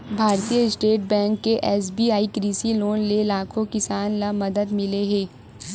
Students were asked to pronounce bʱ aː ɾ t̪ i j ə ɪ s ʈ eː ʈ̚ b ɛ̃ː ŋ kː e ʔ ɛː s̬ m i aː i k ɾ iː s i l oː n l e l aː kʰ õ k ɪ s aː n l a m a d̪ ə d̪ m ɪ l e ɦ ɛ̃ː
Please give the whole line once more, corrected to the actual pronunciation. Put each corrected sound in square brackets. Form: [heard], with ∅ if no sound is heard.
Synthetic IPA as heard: bʱ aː ɾ t̪ i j ə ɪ s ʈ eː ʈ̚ b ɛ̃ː ŋ kː e ʔ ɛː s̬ [b] i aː i k ɾ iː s i l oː n l e l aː kʰ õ k ɪ s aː n l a m [ɐ] d̪ ə d̪ m ɪ l e ɦ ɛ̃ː